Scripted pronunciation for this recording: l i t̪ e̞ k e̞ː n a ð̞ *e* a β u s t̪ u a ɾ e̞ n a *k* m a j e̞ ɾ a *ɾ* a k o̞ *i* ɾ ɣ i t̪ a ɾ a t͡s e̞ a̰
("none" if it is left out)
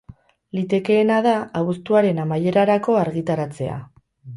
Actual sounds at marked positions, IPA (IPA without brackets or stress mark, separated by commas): a, none, ɾ, a